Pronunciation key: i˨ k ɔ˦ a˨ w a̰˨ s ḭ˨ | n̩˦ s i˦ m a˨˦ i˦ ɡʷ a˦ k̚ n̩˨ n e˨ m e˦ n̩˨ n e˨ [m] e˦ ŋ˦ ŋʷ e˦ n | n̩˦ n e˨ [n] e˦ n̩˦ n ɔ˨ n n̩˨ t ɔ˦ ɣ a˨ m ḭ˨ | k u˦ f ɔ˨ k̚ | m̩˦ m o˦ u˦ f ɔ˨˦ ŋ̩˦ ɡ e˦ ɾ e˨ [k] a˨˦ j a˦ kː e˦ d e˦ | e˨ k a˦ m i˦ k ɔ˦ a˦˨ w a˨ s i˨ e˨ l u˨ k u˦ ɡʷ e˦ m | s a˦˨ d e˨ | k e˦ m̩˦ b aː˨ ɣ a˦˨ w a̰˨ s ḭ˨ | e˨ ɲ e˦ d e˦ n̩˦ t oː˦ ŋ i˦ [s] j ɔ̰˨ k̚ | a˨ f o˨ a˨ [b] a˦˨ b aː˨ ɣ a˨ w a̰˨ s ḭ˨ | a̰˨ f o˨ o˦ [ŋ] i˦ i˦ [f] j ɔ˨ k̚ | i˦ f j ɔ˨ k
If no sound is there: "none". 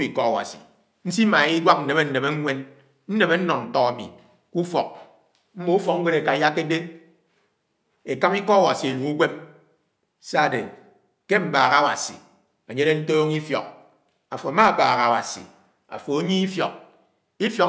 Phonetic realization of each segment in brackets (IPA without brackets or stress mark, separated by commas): m, m, k, f, m, ɲ, f